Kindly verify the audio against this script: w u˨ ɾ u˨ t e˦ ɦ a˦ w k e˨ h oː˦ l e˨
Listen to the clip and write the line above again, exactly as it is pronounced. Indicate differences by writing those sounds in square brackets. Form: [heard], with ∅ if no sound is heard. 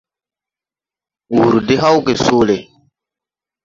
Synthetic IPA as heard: w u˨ ɾ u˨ [d] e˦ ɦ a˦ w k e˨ [s] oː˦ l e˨